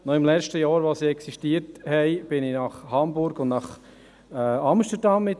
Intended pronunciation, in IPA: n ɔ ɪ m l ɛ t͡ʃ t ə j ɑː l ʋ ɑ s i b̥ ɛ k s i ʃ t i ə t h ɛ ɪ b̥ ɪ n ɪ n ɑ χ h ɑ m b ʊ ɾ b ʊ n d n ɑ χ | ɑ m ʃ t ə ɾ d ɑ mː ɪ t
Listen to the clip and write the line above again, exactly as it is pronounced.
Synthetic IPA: n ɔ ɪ m l ɛ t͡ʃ t ə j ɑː ɾ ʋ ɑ s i ɛ k s i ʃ t i ə t h ɛ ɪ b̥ ɪ n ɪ n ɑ χ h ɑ m b ʊ ɾ ɡ ʊ n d n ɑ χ | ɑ m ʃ t ə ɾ d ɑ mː ɪ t

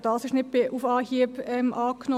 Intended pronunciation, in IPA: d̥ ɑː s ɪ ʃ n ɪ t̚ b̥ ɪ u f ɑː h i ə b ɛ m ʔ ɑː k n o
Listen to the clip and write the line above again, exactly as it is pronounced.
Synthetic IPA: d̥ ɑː s ɪ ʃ n ɪ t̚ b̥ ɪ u f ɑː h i ə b ɛ m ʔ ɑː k n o

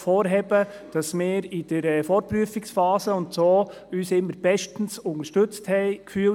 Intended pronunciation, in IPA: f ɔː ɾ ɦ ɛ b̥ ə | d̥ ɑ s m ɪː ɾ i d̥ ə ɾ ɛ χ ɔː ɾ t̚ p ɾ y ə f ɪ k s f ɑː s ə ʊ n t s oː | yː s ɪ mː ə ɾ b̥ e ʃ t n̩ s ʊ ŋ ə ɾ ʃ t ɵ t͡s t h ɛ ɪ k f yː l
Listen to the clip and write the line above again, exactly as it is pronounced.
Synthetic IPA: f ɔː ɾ ɦ ɛ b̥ ə | d̥ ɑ s m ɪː ɾ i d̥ ə ɾ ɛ f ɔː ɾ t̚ p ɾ y ə f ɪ k s f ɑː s ə ʊ n t s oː | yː s ɪ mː ə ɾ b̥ ɛ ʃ t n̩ s ʊ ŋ ə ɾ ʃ t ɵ t͡s t h ɛ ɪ k f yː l

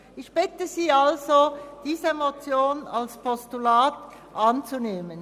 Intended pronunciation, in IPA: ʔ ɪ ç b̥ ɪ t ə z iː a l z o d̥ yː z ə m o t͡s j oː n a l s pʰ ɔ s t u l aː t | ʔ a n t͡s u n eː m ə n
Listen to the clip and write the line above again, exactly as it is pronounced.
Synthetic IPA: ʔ ɪ ç b̥ ɪ t ə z iː a l z o d̥ iː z ə m o t͡s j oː n a l s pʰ ɔ s t u l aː t | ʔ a n t͡s u n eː m ə n

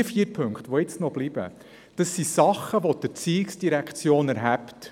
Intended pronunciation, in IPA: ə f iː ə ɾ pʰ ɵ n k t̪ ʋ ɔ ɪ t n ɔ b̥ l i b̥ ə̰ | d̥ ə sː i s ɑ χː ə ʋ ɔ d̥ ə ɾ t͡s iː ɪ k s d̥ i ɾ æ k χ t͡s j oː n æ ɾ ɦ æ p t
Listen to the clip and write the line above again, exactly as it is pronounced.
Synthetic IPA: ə f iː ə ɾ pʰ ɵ ŋ k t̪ ʋ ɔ ɪ t͡s n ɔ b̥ l i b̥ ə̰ | d̥ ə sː i s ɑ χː ə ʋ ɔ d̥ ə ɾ t͡s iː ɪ k s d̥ i ɾ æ k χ t͡s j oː n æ ɾ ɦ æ p t

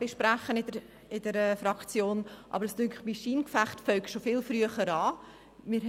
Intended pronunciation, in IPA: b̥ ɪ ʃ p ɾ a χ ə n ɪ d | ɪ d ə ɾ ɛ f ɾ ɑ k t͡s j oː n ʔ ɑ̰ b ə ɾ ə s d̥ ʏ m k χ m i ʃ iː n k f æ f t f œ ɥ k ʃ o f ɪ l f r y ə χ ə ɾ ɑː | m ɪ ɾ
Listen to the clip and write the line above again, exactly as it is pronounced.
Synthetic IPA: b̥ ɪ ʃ p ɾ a χ ə n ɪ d | ɪ d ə ɾ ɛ f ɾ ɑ k t͡s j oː n ʔ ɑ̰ b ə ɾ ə s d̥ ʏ ŋ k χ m i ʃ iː n k f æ χ t f œ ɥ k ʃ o f ɪ l f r y ə χ ə ɾ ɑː | m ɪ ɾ

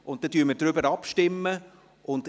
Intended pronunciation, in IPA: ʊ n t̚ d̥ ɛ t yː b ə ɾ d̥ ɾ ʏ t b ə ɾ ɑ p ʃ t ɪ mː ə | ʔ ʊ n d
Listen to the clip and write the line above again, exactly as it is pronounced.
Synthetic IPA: ʊ n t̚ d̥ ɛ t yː m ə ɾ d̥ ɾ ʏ b ə ɾ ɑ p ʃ t ɪ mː ə | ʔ ʊ n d

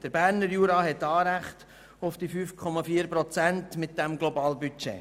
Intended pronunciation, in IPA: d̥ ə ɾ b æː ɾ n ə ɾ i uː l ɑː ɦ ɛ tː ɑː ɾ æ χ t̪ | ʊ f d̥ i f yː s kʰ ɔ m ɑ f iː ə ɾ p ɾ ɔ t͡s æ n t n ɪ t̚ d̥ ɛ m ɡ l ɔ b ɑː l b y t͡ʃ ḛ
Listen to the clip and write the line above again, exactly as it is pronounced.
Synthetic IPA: d̥ ə ɾ b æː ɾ n ə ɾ j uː ɾ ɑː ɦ ɛ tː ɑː ɾ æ χ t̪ | ʊ f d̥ i f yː f kʰ ɔ m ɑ f iː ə ɾ p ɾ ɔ t͡s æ n t m ɪ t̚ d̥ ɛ m ɡ l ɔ b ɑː l b y t͡ʃ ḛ

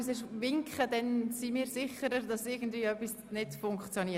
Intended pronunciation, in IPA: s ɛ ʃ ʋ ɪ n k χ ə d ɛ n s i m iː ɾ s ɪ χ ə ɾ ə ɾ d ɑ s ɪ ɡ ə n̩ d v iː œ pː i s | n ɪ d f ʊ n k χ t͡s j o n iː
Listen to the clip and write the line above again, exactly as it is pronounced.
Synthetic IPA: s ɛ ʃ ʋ ɪ ŋ k χ ə d ɛ n s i m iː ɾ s ɪ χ ə ɾ ə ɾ d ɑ s ɪ ɡ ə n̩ d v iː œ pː i s | n ɪ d f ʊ ŋ k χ t͡s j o n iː

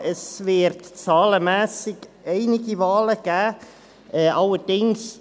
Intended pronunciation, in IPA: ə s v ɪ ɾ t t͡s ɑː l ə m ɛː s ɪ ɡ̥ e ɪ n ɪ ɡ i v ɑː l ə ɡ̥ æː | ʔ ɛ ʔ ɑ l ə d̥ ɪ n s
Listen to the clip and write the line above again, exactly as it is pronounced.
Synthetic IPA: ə s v ɪ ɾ t t͡s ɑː l ə m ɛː s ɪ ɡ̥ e ɪ n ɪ ɡ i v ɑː l ə ɡ̥ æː | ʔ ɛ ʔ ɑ l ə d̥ ɪ ŋ s

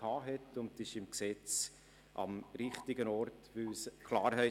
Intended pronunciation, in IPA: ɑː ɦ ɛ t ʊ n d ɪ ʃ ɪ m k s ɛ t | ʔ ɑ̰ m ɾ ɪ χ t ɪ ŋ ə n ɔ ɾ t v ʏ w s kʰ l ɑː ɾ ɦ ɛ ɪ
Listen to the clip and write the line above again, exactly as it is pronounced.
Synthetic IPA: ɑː ɦ ɛ t ʊ n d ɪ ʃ ɪ m k s ɛ t͡s | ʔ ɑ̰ m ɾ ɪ χ t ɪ ɡ ə n ɔ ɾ t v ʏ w s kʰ l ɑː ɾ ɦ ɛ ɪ

